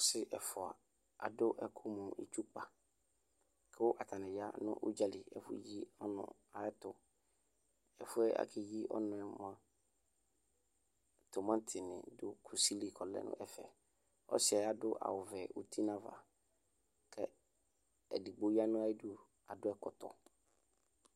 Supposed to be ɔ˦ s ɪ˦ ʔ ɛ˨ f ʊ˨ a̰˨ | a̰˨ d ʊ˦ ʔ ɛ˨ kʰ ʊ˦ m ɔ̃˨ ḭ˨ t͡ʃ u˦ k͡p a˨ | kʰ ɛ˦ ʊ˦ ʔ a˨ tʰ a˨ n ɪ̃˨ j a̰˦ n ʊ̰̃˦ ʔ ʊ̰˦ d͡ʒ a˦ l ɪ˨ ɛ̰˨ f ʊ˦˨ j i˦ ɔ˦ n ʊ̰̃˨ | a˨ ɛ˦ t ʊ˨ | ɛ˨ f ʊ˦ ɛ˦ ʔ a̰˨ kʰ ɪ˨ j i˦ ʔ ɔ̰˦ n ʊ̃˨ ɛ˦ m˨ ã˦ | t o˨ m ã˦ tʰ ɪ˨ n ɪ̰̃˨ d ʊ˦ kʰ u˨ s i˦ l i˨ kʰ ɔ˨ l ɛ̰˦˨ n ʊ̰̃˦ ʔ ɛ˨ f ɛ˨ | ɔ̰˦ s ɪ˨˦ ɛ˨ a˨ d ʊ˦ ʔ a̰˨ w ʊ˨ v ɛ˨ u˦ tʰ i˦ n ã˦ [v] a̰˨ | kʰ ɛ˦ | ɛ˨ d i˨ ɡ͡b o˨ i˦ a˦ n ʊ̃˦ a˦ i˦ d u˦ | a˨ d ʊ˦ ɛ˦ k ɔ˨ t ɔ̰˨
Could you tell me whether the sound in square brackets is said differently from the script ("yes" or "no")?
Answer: no